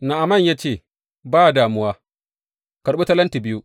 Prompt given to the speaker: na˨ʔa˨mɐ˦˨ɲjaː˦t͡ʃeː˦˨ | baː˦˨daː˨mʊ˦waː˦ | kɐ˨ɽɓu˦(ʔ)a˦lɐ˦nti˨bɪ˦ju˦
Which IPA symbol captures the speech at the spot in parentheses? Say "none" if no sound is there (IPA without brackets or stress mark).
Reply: t